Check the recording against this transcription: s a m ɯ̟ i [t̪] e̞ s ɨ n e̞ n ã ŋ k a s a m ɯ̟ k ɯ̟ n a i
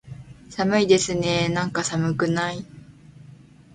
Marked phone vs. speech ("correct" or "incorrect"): incorrect